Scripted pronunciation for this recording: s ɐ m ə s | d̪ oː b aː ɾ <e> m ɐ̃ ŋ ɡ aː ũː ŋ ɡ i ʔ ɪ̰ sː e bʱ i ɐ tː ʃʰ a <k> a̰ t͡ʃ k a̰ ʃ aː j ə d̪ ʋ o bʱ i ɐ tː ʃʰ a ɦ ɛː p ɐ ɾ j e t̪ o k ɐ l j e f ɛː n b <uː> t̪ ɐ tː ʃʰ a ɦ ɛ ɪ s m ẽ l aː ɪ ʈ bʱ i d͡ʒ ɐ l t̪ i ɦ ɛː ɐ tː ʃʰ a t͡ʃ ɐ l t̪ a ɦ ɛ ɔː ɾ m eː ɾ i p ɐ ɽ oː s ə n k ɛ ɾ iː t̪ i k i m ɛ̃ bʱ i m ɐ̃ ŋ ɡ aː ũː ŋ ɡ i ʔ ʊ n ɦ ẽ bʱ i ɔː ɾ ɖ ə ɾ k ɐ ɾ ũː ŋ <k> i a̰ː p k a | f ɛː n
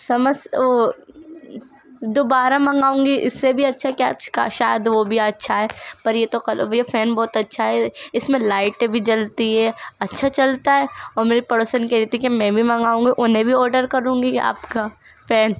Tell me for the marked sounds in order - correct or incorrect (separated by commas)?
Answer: incorrect, correct, incorrect, incorrect